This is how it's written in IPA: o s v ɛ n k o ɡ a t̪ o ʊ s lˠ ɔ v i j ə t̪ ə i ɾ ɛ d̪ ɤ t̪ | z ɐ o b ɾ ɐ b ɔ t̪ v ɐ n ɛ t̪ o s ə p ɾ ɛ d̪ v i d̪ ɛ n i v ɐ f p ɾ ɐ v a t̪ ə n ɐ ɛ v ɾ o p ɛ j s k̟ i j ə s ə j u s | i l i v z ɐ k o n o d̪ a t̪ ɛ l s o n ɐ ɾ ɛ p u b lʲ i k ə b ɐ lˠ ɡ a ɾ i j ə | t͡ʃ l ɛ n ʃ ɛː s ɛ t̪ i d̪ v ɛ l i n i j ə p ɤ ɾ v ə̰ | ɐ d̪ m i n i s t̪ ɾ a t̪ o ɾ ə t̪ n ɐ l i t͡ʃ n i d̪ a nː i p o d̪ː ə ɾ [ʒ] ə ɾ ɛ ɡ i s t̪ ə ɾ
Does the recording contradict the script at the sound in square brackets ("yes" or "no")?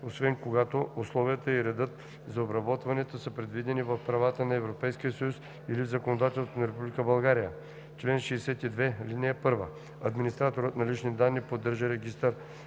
no